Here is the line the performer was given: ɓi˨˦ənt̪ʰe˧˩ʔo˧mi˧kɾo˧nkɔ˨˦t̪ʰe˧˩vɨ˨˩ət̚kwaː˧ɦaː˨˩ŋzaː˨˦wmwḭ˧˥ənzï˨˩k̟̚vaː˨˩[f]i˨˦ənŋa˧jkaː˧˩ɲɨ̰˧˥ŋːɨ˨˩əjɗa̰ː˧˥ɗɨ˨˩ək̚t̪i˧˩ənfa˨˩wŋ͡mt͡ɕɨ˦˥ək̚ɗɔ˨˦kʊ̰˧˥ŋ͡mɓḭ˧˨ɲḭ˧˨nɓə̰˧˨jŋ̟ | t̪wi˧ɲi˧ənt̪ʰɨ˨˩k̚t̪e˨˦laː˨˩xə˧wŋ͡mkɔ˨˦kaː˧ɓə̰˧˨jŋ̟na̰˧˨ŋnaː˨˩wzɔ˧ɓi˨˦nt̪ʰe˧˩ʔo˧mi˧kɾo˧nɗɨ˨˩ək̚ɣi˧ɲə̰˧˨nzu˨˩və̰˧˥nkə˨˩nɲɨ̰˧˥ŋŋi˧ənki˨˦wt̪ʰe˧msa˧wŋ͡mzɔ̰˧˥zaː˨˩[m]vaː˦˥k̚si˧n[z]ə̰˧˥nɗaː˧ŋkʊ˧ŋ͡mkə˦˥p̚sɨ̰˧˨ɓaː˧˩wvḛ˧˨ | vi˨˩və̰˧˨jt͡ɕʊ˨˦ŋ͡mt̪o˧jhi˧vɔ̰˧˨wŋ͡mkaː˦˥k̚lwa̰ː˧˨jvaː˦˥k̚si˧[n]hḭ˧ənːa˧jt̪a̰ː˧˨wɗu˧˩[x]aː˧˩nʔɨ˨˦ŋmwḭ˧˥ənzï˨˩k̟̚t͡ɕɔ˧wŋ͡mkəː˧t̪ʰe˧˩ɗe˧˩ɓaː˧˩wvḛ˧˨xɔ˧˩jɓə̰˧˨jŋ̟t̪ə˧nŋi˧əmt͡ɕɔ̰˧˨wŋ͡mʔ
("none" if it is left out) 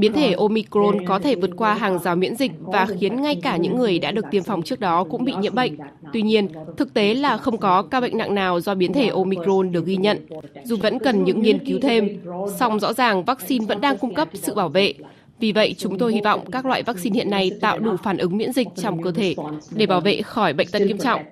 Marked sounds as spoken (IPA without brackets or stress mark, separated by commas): x, ŋ, v, n, f